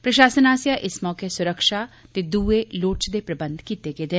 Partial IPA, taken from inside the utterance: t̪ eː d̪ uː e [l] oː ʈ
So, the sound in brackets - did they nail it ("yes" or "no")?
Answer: yes